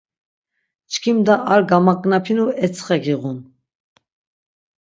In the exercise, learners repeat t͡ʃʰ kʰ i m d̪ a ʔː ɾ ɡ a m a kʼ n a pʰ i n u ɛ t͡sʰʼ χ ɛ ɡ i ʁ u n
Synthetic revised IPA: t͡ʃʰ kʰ i m d̪ a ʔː ɾ ɡ a m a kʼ n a pʰ i n u ɛ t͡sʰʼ χ ɛ ɡ i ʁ u n